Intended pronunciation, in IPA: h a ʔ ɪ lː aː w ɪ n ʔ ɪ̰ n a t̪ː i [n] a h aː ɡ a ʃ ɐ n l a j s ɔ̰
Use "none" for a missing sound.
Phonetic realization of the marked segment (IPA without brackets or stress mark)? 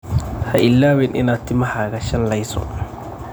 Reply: m